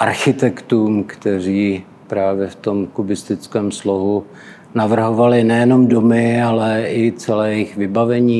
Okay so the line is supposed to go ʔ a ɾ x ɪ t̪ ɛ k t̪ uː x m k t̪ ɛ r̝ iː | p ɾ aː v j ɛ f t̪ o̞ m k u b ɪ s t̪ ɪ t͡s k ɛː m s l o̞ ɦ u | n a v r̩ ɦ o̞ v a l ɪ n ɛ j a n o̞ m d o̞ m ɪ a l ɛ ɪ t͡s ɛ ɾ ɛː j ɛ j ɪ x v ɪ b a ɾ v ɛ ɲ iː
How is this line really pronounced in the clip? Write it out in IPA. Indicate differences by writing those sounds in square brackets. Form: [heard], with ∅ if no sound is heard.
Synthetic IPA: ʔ a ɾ x ɪ t̪ ɛ k t̪ uː [∅] m k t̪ ɛ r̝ iː | p ɾ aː v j ɛ f t̪ o̞ m k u b ɪ s t̪ ɪ t͡s k ɛː m s l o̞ ɦ u | n a v r̩ ɦ o̞ v a l ɪ n ɛ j [ɛ] n o̞ m d o̞ m ɪ a l ɛ ɪ t͡s ɛ [l] ɛː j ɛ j ɪ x v ɪ b a [∅] v ɛ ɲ iː